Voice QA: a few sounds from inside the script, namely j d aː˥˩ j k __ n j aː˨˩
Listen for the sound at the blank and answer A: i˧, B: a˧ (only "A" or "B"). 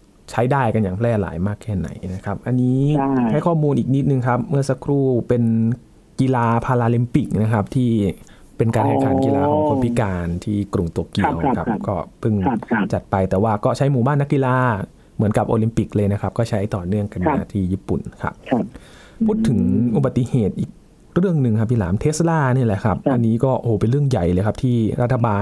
B